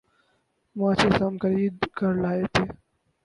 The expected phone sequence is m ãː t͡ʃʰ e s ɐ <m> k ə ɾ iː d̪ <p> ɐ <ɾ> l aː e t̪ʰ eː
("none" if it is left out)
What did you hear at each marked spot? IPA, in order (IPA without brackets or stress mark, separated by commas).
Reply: m, k, ɾ